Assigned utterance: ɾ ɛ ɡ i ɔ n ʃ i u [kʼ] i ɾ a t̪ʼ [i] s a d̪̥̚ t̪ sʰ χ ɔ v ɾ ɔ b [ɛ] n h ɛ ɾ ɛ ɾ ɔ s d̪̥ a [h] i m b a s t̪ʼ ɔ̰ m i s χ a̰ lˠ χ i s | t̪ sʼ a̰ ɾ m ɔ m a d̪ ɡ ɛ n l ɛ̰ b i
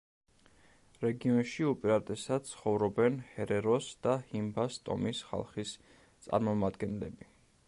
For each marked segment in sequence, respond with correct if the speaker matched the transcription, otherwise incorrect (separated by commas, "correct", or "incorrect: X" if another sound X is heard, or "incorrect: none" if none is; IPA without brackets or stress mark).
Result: incorrect: pʼ, incorrect: ɛ, correct, correct